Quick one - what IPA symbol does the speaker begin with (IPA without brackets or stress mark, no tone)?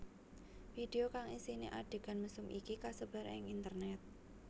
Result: f